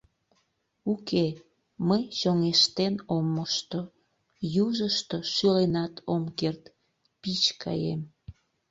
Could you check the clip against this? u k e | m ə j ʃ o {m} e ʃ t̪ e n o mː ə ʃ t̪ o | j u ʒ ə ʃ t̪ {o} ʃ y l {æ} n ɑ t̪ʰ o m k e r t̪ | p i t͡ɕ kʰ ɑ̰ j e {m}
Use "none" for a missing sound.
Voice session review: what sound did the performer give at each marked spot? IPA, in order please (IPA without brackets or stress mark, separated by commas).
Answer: ŋ, o, e, m